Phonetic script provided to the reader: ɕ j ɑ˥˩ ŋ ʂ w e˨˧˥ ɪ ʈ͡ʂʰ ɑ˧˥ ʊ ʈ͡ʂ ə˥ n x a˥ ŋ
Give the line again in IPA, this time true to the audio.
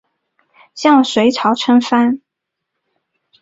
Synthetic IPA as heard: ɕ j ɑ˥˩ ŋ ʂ w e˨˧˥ ɪ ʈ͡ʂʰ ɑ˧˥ ʊ ʈ͡ʂʰ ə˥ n f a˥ n